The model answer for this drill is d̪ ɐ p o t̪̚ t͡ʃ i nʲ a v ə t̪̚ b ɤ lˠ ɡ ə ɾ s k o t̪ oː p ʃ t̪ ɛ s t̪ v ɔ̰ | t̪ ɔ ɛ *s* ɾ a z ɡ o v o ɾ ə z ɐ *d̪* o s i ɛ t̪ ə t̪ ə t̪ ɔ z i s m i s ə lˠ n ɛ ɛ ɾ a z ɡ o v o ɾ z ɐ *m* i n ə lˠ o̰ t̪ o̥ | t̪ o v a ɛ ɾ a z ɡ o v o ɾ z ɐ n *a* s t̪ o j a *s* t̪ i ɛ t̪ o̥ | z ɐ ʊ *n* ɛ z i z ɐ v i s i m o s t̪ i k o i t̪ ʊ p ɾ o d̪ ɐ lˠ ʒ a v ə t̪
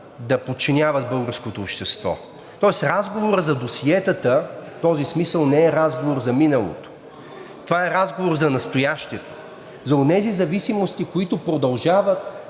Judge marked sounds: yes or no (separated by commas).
yes, yes, yes, no, no, yes